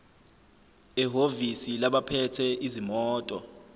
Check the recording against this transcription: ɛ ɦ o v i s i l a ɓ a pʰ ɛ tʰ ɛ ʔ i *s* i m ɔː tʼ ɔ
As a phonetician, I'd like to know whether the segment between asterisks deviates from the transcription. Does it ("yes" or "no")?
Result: yes